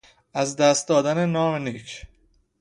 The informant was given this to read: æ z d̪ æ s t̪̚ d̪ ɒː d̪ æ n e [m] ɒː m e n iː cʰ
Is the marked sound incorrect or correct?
incorrect: n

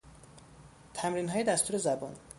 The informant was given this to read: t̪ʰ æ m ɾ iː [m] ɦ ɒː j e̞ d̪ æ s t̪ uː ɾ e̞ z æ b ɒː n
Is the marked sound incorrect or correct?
incorrect: n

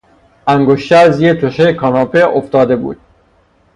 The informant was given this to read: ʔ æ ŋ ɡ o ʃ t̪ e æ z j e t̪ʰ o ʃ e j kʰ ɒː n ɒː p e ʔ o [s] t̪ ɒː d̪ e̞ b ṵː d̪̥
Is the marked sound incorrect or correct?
incorrect: f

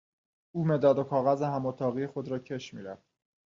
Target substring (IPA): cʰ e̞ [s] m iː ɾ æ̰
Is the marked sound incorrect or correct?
incorrect: ʃ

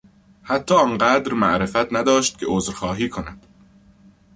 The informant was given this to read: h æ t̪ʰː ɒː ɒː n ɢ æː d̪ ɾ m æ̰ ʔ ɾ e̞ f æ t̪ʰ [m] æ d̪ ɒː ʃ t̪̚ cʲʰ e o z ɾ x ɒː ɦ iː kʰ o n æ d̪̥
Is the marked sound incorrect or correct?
incorrect: n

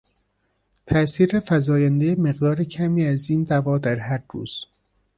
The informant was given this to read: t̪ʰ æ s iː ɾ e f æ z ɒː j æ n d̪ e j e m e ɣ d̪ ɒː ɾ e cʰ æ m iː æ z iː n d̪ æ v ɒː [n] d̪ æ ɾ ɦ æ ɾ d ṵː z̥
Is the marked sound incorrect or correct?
incorrect: none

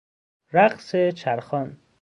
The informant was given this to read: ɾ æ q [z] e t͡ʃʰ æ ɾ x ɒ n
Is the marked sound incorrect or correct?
incorrect: s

